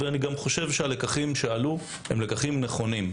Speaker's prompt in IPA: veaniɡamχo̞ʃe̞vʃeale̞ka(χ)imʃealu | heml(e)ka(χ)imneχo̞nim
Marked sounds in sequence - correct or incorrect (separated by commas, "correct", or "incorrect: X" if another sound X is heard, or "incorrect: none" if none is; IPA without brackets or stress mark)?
correct, correct, correct